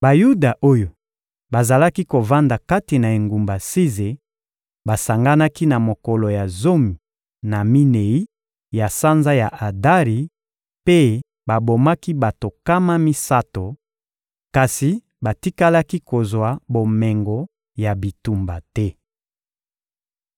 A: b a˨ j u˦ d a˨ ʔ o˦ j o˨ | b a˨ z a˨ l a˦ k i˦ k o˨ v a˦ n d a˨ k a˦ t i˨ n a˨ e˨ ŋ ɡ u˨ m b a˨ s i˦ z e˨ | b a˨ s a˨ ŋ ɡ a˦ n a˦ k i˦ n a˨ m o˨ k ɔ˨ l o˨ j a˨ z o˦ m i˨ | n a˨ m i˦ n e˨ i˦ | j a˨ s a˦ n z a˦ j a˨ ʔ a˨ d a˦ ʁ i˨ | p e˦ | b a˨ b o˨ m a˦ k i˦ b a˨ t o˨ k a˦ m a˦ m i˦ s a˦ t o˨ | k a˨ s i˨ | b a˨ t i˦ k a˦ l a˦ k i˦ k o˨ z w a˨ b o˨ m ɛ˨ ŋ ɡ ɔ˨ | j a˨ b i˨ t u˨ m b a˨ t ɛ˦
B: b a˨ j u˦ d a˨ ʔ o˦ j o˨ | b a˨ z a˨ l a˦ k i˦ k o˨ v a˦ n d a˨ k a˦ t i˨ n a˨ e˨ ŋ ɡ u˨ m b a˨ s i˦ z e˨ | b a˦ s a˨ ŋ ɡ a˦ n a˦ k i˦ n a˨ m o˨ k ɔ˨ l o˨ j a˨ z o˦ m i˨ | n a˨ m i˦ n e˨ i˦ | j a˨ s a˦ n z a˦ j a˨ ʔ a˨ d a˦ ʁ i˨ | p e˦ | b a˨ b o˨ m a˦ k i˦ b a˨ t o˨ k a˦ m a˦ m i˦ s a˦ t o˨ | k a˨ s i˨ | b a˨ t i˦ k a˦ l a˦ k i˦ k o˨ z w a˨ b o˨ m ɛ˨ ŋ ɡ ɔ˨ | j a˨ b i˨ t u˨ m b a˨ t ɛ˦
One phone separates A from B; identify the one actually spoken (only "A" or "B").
A